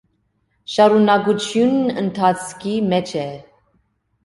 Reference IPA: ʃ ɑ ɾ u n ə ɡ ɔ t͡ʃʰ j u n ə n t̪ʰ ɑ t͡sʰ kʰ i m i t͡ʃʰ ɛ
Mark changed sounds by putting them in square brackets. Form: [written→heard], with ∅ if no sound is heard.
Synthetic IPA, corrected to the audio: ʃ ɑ ɾ u n [ə→ɑ] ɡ [ɔ→u] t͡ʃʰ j u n ə n t̪ʰ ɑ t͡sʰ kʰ i m [i→ɛ] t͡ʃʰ ɛ